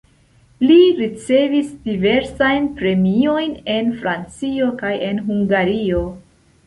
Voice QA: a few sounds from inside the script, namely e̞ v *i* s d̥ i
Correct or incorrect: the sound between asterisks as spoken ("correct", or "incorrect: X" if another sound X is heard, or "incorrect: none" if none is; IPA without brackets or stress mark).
correct